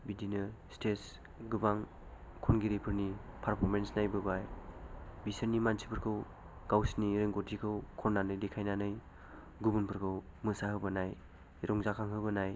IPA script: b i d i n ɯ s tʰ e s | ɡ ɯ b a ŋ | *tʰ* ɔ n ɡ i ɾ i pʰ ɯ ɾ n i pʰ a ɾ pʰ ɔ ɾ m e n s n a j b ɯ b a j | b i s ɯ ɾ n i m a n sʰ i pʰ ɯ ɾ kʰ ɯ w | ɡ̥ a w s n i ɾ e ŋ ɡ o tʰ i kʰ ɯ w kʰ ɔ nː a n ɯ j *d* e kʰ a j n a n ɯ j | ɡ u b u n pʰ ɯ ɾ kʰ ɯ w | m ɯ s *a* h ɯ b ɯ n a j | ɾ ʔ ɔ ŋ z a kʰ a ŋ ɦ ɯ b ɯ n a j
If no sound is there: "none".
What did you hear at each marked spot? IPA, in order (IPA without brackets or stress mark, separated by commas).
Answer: kʰ, d, a